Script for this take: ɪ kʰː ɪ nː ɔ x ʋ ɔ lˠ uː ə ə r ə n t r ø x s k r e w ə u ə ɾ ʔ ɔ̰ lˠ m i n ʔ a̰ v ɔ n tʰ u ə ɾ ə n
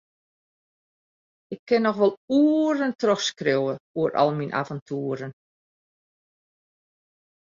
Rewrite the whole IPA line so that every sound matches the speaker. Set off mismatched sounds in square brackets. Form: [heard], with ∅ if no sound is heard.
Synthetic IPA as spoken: ɪ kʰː ɪ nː ɔ x ʋ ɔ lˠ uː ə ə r ə n t r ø x s k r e w ə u ə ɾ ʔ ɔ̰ lˠ m i n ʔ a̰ v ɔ n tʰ u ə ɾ ə n